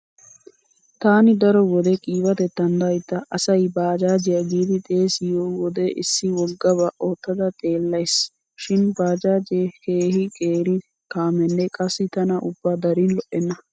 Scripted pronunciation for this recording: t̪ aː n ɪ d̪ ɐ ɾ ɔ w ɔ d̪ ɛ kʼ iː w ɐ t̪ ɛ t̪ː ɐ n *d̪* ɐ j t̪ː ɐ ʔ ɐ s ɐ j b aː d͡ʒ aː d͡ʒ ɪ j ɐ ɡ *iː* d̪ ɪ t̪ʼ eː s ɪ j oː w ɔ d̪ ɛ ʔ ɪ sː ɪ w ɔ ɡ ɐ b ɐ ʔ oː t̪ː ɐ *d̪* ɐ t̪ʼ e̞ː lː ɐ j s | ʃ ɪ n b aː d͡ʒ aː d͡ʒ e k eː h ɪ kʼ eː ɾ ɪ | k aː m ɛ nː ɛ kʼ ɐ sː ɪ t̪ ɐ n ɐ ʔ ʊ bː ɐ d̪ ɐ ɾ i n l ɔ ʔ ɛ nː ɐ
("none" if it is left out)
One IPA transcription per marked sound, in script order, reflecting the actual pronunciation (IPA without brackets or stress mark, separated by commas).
d̪, iː, d̪